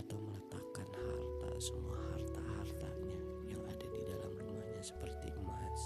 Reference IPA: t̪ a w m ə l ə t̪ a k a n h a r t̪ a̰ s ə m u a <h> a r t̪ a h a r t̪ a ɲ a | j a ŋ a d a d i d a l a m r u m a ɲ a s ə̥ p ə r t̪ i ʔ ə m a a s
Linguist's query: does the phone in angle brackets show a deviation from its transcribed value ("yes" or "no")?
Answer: no